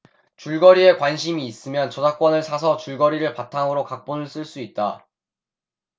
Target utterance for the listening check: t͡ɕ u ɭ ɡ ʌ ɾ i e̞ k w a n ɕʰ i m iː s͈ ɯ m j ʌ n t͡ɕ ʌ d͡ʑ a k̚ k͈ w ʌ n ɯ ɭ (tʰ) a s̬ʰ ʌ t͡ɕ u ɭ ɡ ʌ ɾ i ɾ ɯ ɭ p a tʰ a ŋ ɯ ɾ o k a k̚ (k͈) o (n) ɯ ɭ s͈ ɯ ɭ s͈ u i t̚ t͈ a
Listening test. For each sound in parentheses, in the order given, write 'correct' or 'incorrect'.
incorrect, incorrect, correct

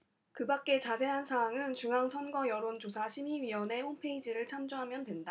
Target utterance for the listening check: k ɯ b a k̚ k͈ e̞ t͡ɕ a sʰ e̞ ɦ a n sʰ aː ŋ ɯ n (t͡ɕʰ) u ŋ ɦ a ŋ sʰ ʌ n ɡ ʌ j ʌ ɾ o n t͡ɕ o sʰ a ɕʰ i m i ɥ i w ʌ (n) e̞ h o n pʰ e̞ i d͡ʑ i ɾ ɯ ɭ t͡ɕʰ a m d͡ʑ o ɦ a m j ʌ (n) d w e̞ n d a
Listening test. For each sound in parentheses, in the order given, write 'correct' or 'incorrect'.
incorrect, correct, correct

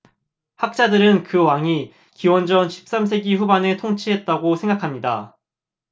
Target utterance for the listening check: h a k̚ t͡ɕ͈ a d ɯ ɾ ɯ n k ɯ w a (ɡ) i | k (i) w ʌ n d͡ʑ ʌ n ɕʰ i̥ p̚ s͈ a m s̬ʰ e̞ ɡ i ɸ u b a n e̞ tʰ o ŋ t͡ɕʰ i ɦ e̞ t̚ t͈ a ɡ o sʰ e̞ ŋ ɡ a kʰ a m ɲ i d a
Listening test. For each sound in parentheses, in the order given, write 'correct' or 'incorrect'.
incorrect, correct

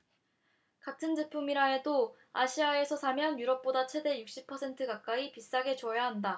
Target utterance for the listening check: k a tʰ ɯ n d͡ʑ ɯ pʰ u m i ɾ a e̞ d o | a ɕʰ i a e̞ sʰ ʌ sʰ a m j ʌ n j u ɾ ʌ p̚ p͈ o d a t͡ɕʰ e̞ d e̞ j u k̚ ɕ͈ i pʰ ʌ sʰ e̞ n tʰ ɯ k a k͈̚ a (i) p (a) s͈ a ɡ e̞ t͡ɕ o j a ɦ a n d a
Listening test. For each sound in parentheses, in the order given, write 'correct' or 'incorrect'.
correct, incorrect

